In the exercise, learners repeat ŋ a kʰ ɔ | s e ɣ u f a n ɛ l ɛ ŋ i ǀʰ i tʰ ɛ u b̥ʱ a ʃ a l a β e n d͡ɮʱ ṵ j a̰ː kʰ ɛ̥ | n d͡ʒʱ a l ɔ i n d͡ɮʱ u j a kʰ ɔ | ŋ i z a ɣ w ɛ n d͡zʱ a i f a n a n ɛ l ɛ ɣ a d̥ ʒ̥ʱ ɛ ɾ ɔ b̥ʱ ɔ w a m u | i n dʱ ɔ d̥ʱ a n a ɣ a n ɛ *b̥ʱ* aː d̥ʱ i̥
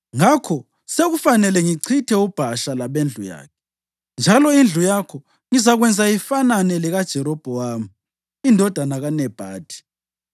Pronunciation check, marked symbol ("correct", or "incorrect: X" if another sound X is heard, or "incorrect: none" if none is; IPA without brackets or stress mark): correct